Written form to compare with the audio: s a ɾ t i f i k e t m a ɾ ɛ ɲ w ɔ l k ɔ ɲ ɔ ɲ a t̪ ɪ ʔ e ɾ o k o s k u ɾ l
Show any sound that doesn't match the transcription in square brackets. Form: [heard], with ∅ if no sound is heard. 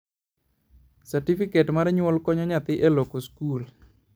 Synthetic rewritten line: s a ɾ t i f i k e t m a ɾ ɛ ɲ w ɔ l k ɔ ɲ ɔ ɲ a t̪ ɪ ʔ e [l] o k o s k u [∅] l